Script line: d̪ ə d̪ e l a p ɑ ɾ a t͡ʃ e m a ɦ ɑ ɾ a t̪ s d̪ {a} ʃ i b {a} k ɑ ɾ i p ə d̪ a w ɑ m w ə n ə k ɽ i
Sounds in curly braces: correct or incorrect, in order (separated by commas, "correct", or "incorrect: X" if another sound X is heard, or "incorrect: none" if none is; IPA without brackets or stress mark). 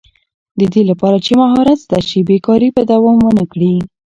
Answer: correct, incorrect: e